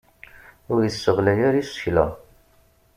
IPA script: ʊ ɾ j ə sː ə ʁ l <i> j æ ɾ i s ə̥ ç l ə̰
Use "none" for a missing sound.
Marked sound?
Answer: æ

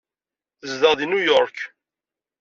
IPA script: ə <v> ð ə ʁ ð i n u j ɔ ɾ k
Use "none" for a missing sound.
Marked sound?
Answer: z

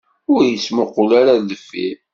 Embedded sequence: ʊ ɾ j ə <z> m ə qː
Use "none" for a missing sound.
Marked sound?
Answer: s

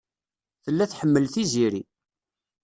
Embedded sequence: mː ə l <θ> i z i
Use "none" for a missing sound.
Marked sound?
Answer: θ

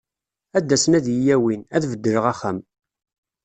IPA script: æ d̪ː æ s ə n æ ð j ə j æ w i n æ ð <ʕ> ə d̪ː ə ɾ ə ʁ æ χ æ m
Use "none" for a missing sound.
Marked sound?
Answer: v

